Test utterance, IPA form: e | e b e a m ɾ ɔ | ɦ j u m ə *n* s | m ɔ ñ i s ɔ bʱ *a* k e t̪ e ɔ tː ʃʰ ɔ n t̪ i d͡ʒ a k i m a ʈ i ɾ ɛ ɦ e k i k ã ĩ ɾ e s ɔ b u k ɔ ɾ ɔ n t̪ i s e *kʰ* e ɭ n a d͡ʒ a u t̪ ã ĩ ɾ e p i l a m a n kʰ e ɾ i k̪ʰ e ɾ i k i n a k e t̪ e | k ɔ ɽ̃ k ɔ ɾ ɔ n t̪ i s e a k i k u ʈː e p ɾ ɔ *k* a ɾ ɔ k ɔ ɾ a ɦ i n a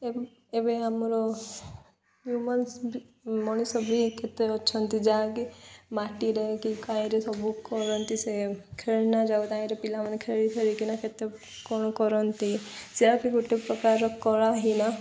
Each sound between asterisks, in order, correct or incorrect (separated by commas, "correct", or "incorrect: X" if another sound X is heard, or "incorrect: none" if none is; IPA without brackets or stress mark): correct, incorrect: i, correct, correct